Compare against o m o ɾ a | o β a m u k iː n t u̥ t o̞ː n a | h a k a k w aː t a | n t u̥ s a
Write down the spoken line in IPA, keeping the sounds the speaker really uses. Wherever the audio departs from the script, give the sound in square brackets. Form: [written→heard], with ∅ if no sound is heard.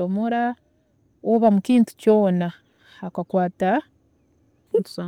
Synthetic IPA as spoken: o m o ɾ a | o β a m u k iː n t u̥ [t→c] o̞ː n a | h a k a k w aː t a | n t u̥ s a